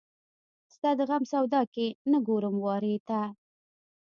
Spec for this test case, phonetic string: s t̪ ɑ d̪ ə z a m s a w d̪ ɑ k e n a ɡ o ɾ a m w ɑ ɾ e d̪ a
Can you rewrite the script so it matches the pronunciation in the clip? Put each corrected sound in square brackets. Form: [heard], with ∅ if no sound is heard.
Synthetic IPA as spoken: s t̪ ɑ d̪ ə [ɣ] a m s a w d̪ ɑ k e n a ɡ o ɾ [ə] m w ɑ ɾ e [t̪] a